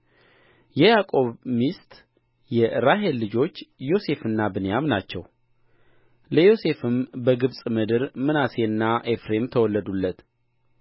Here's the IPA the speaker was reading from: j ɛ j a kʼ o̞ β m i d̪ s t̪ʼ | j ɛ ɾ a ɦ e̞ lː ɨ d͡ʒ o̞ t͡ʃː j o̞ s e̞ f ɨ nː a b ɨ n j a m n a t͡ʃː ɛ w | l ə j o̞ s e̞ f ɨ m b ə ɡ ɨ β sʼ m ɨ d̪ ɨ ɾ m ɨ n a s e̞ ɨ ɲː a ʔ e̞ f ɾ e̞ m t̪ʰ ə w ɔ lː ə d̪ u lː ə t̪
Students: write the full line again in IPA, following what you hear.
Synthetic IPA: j ɛ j a kʼ o̞ β m i s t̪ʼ | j ɛ ɾ a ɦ e̞ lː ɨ d͡ʒ o̞ t͡ʃː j o̞ s e̞ f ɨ nː a b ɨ n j a m n a t͡ʃː ɛ w | l ə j o̞ s e̞ f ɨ m b ə ɡ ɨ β sʼ m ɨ d̪ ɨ ɾ m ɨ n a s e̞ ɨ nː a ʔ e̞ f ɾ e̞ m t̪ʰ ə w ɔ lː ə d̪ u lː ə t̪